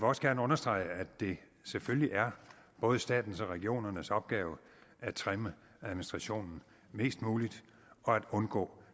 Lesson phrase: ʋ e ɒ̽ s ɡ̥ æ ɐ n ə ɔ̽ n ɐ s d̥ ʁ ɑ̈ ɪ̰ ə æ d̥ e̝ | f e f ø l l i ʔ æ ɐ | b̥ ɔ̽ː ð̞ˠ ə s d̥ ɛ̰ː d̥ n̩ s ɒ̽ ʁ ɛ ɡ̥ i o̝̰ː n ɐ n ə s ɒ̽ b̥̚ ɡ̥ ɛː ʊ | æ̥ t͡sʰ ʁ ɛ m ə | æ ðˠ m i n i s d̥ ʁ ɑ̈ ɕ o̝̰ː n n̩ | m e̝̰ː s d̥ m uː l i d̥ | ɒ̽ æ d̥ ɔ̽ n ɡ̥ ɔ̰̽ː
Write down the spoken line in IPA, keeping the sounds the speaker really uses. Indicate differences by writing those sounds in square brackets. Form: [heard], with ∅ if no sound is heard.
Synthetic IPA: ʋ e ɒ̽ s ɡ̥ æ ɐ n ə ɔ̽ n ɐ s d̥ ʁ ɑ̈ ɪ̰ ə æ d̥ e̝ | [s] e f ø l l i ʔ æ ɐ | b̥ ɔ̽ː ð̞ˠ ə s d̥ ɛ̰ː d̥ n̩ s ɒ̽ ʁ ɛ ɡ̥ i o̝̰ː n ɐ n ə s ɒ̽ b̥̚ ɡ̥ ɛː ʊ | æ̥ t͡sʰ ʁ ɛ m ə | æ ðˠ m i n i s d̥ ʁ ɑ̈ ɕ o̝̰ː n n̩ | m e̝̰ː s d̥ m uː l i d̥ | ɒ̽ æ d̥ ɔ̽ n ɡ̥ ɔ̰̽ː